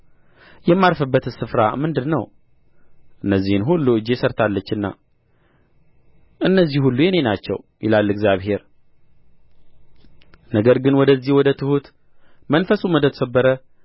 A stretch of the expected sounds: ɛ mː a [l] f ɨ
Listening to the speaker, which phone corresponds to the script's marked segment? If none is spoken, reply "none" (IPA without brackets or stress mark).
ɾ